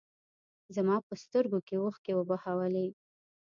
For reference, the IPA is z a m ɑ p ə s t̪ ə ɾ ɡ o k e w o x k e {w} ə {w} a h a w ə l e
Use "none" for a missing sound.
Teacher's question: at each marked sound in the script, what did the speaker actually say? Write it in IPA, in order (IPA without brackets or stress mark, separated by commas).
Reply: w, b